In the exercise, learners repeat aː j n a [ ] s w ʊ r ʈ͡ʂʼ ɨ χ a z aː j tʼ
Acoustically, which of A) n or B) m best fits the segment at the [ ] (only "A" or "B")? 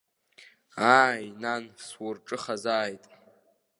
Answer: A